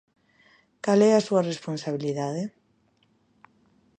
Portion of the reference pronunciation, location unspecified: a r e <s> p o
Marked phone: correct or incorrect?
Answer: correct